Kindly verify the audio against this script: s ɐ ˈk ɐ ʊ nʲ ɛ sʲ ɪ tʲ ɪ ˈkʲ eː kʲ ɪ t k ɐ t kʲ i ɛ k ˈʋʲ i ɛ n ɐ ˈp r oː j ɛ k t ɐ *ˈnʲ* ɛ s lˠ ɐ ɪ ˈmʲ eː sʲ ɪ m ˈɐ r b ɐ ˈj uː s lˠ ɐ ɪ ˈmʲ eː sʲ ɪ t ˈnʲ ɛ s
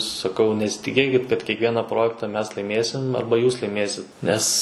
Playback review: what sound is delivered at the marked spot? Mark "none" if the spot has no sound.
mʲ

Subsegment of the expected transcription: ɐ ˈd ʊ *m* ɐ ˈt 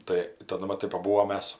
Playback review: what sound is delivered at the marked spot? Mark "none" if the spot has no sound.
m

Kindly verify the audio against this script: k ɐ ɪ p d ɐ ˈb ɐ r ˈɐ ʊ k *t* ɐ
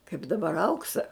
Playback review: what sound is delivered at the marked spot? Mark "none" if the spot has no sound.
s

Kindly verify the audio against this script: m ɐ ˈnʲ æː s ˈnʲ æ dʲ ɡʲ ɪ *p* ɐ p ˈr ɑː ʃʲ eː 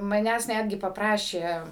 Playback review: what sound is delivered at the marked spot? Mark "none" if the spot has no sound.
p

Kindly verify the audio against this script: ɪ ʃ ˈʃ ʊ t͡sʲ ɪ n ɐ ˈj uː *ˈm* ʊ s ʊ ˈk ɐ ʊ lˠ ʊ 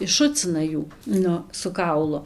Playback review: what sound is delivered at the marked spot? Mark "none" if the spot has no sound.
n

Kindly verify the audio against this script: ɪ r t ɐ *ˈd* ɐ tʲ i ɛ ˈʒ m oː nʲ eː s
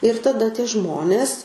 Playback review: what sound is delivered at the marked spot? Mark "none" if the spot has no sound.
d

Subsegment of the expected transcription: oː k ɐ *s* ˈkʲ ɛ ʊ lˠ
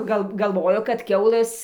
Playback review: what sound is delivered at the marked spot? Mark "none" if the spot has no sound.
t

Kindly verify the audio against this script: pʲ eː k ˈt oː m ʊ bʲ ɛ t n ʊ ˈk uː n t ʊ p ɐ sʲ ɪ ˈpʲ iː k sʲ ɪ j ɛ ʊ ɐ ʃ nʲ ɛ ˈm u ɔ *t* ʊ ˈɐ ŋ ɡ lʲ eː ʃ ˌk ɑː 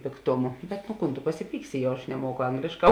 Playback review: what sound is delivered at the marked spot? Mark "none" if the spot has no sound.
k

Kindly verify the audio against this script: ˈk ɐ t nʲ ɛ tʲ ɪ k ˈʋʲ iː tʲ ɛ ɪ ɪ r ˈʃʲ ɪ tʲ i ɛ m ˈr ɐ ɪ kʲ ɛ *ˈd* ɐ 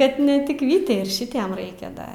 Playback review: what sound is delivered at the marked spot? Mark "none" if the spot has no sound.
d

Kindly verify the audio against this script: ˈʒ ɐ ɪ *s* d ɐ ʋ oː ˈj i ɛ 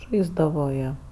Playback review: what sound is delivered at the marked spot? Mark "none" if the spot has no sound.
z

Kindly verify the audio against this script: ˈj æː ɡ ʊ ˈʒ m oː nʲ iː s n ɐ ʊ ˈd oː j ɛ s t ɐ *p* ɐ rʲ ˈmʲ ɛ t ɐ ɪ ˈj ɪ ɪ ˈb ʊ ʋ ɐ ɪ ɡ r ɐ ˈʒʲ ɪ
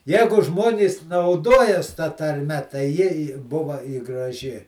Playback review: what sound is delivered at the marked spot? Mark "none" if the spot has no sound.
t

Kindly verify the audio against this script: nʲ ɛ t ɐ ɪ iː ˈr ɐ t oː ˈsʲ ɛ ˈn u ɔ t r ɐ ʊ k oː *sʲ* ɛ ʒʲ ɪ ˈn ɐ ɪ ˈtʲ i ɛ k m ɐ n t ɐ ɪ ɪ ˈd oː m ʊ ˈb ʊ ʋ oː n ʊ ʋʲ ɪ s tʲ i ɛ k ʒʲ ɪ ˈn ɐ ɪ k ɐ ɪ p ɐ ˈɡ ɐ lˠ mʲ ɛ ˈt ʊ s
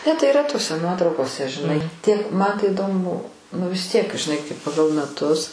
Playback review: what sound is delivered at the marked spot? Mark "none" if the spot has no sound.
sʲ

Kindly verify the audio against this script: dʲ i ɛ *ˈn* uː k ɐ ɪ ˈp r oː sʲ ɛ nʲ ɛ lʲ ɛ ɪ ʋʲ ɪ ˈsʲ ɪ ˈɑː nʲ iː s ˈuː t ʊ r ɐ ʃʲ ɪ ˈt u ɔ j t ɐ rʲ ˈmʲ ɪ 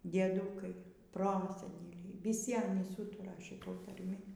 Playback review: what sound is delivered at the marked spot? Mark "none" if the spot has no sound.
d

